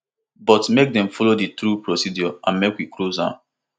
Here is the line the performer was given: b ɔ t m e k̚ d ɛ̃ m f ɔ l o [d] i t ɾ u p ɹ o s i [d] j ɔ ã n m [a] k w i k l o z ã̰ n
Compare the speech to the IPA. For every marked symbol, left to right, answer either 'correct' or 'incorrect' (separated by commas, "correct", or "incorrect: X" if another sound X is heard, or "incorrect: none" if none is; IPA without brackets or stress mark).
correct, correct, incorrect: e